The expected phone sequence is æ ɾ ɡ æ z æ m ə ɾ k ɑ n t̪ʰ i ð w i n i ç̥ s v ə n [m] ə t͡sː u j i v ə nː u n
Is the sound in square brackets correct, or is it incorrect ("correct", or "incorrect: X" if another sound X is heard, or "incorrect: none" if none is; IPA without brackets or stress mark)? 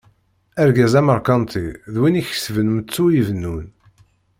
correct